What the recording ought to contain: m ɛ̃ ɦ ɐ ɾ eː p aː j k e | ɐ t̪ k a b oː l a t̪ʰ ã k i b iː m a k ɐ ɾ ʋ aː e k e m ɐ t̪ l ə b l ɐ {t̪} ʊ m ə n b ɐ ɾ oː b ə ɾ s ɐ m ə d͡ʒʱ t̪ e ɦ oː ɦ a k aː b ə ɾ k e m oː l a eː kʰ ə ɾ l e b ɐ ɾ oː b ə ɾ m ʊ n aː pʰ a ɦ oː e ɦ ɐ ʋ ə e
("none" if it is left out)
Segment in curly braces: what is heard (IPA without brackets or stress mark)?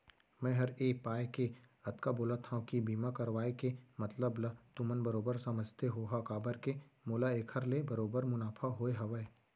t̪